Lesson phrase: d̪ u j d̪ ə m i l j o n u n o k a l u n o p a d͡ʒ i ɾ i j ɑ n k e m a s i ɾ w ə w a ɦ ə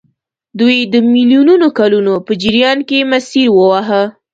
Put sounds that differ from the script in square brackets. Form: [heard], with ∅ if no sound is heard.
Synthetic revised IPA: d̪ u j d̪ ə m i l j [u] n u n o k a l u n o p [ə] d͡ʒ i ɾ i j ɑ n k e m a s i ɾ w ə w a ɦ ə